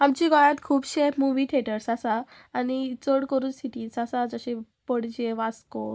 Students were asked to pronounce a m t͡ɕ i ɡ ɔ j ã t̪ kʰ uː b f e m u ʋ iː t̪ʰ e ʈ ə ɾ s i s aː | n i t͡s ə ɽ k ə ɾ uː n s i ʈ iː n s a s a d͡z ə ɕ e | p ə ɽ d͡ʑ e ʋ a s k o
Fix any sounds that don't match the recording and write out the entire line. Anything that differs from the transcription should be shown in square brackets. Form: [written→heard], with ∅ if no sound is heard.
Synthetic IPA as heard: a m t͡ɕ i ɡ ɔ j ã t̪ kʰ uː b [f→ɕ] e m u ʋ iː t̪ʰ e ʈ ə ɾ s [i→a] s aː | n i t͡s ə ɽ k ə ɾ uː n s i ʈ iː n s a s a d͡z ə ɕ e | p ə ɽ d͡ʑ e ʋ a s k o